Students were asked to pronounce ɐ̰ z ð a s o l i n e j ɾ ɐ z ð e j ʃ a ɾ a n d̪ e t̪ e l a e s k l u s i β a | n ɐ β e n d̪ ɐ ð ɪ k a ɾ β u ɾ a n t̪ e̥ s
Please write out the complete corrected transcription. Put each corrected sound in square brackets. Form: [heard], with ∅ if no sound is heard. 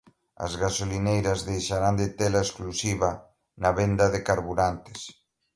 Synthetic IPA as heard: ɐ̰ z [ɣ] a s o l i n e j ɾ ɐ z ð e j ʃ a ɾ a n d̪ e t̪ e l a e s k l u s i β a | n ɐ β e n d̪ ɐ ð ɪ k a ɾ β u ɾ a n t̪ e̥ s